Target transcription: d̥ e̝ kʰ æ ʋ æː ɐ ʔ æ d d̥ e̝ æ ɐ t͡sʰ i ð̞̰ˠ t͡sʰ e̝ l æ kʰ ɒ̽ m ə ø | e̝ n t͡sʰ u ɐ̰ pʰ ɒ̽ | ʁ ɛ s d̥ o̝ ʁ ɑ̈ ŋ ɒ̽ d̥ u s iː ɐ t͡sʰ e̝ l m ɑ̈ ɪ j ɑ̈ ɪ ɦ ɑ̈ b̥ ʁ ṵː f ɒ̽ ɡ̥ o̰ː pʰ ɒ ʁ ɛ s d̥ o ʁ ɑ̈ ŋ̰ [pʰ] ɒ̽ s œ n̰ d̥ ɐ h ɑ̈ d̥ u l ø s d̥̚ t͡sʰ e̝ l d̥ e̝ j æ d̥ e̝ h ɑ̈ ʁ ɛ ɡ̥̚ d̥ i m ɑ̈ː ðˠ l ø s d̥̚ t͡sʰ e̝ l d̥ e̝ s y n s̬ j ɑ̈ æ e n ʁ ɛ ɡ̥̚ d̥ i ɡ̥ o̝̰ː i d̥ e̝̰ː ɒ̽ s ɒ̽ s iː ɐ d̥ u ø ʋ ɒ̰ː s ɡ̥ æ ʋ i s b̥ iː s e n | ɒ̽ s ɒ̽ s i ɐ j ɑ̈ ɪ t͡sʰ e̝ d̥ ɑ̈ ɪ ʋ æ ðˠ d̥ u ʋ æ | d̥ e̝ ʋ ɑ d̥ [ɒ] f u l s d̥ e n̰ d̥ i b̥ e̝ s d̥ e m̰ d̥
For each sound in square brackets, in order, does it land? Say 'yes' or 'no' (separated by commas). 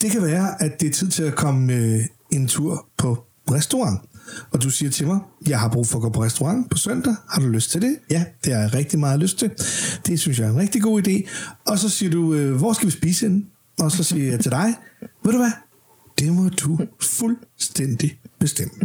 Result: yes, no